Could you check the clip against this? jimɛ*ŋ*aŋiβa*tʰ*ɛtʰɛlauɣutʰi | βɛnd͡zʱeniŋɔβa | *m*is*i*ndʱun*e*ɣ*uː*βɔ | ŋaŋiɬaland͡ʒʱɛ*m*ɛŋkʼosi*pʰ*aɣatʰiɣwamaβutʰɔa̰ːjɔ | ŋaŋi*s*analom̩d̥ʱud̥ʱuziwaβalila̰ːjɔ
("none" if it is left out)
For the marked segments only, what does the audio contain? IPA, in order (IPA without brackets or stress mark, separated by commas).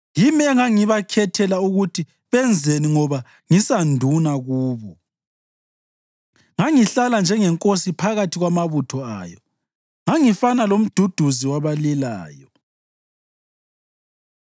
ŋ, kʰ, ŋ, a, a, uː, ŋ, pʰ, f